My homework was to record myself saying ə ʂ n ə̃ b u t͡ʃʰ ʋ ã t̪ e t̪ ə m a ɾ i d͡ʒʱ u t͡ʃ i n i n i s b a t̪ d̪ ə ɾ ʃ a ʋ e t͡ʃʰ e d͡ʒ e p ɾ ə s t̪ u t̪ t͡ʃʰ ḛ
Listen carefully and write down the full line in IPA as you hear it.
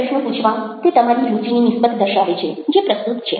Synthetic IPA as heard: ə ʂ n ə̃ p u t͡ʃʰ ʋ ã t̪ e t̪ ə m a ɾ i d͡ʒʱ u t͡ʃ i n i n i s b ə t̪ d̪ ə ɾ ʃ a ʋ e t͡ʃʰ e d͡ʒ e p ɾ ə s t̪ u t̪ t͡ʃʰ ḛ

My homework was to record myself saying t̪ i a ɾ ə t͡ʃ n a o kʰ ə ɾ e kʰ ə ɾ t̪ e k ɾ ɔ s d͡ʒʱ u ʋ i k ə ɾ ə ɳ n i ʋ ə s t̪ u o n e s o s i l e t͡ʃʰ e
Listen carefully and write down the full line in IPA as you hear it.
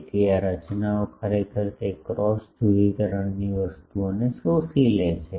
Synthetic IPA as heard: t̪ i a ɾ ə t͡ʃ n a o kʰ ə ɾ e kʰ ə ɾ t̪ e k ɾ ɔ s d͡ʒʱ u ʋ i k ə ɾ ə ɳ n i ʋ ə s t̪ u o n e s o s i l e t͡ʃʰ e

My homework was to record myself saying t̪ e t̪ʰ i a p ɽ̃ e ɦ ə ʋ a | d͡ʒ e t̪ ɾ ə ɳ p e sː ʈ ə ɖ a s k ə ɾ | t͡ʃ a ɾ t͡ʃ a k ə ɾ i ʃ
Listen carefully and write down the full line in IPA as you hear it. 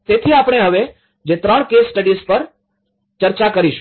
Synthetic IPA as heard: t̪ e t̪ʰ i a p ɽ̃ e ɦ ə ʋ e | d͡ʒ e t̪ ɾ ə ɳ k e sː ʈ ə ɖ i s p ə ɾ | t͡ʃ ə ɾ t͡ʃ a k ə ɾ i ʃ

